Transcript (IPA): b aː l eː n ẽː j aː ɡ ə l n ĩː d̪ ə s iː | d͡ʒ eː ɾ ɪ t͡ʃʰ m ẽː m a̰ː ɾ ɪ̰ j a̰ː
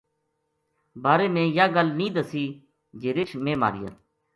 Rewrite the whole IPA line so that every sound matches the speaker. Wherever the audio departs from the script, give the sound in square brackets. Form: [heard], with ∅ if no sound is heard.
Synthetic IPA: b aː [ɾ] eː [m] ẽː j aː ɡ ə l n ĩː d̪ ə s iː | d͡ʒ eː ɾ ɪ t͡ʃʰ m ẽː m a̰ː ɾ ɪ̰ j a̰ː